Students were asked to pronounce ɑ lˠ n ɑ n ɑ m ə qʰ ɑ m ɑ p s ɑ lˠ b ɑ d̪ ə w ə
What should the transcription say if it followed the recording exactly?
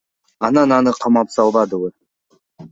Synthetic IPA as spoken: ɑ n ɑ n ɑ n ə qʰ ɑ m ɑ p s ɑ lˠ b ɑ d̪ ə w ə